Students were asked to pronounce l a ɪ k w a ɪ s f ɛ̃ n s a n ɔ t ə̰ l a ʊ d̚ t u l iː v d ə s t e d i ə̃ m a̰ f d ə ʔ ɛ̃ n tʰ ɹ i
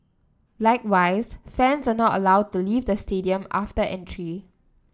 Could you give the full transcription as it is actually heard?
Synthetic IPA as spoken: l a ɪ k w a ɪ s f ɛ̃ n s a n ɔ t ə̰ l a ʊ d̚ t u l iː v d ə s t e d i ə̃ m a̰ f t ə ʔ ɛ̃ n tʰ ɹ i